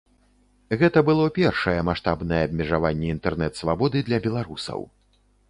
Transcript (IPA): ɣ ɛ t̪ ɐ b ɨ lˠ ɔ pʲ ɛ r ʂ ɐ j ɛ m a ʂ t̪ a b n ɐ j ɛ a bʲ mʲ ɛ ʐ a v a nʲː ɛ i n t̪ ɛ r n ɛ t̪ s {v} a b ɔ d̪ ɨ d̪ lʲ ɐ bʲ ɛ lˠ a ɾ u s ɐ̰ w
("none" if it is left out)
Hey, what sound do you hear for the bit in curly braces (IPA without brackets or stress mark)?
v